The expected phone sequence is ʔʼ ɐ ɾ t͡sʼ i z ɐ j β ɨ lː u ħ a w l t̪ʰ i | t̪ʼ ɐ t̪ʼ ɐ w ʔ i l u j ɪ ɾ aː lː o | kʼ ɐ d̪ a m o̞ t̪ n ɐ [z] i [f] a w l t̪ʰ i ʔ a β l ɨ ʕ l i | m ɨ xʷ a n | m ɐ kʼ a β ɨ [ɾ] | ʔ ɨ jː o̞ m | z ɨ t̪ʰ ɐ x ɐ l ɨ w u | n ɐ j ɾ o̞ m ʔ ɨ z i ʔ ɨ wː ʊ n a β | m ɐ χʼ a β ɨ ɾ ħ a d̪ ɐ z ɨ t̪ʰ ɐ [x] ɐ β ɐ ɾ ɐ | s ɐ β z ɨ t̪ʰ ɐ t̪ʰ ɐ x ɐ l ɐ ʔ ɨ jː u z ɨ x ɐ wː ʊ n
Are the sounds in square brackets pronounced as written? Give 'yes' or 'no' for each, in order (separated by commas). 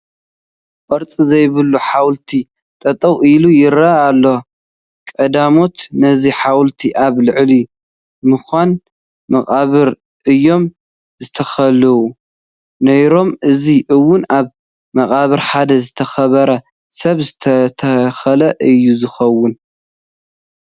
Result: yes, no, yes, yes